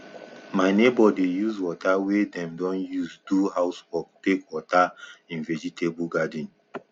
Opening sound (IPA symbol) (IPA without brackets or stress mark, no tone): m